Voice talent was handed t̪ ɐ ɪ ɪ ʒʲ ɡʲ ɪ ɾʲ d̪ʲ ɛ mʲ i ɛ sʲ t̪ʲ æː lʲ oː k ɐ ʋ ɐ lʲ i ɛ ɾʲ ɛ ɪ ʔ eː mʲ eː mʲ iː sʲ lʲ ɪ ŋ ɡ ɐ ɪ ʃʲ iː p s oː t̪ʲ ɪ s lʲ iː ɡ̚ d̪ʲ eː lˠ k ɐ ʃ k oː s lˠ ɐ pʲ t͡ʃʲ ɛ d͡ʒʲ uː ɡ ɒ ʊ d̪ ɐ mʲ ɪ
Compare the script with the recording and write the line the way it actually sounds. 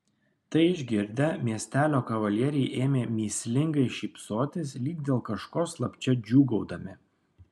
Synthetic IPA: t̪ ɐ ɪ ɪ ʒʲ ɡʲ ɪ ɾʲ d̪ʲ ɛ mʲ i ɛ sʲ t̪ʲ æː lʲ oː k ɐ ʋ ɐ lʲ i ɛ ɾʲ ɛ ɪ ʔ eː mʲ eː mʲ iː sʲ lʲ ɪ ŋ ɡ ɐ ɪ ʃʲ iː p s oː t̪ʲ ɪ s lʲ iː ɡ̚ d̪ʲ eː lˠ k ɐ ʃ k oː s lˠ ɐ pʲ t͡ʃʲ ɛ d͡ʒʲ uː ɡ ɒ ʊ d̪ ɐ mʲ ɪ